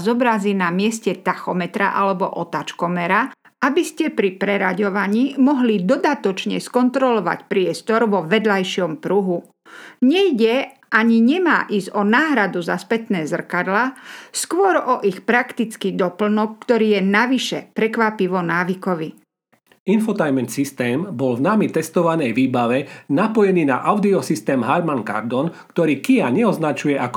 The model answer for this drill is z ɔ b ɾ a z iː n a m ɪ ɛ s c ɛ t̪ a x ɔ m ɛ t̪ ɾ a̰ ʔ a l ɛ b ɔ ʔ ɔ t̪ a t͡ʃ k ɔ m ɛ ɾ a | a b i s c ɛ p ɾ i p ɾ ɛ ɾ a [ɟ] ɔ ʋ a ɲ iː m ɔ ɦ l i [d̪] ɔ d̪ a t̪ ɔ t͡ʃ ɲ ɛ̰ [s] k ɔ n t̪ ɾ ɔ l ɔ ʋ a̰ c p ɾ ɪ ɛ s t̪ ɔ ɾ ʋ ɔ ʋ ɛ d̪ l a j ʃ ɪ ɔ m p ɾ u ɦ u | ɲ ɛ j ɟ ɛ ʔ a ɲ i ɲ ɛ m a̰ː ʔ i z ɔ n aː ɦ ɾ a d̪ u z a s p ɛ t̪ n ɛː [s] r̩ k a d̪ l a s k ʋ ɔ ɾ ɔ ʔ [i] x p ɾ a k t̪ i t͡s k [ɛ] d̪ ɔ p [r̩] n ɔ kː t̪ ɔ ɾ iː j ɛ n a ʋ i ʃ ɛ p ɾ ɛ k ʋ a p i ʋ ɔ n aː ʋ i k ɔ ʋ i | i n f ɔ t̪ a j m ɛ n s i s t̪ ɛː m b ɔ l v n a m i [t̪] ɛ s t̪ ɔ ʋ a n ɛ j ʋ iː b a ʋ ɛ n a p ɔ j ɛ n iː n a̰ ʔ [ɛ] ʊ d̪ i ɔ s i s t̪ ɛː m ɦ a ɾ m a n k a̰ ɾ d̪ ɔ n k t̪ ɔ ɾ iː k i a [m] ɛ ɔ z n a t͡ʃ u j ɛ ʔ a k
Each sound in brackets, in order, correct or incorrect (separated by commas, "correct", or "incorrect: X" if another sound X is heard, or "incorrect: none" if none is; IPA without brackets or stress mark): correct, correct, correct, incorrect: z, correct, incorrect: i, incorrect: l̩, correct, incorrect: a, incorrect: ɲ